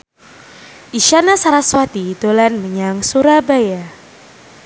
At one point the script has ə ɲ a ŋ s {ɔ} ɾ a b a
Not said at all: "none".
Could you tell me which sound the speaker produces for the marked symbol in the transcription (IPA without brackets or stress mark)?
u